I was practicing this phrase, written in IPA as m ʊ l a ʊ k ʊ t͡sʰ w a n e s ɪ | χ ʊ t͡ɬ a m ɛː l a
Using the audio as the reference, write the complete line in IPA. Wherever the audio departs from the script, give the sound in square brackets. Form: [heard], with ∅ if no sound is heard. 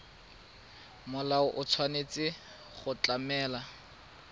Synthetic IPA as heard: m ʊ l a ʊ [ʔ] ʊ t͡sʰ w a n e [t͡s] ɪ | χ ʊ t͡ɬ a m ɛː l a